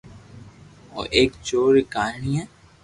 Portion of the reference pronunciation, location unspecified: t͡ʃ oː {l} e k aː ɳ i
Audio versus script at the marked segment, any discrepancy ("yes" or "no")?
yes